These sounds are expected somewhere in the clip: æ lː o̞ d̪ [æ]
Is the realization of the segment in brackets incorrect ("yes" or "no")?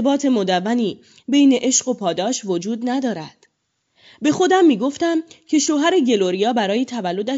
no